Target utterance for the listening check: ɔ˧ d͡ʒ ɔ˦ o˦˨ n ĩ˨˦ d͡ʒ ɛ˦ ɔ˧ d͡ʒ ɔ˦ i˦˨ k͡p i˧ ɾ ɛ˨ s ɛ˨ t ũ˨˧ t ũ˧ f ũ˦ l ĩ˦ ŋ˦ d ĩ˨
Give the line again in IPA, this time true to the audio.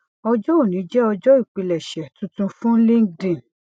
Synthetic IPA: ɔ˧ d͡ʒ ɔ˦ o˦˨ n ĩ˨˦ d͡ʒ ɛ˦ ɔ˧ d͡ʒ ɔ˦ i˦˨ k͡p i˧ l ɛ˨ ʃ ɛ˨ t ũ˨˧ t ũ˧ f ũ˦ l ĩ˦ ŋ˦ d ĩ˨